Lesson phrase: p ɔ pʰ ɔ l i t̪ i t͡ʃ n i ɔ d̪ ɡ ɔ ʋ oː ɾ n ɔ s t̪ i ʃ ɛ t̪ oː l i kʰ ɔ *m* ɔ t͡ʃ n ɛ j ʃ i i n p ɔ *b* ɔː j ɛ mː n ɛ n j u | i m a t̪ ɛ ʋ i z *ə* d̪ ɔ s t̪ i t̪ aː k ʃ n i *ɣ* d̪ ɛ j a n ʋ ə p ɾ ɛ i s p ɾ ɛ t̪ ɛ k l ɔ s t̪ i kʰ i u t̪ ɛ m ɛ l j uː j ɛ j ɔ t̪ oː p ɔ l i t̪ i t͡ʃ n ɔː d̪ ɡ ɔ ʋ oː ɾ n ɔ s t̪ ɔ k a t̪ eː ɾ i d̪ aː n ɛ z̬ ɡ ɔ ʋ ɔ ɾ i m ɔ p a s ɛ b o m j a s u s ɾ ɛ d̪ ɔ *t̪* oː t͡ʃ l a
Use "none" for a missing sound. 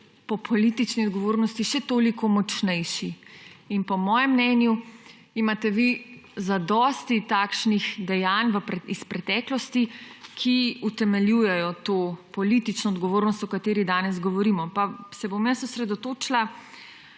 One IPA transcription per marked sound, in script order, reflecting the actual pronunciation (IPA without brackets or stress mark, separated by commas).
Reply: m, m, a, x, t̪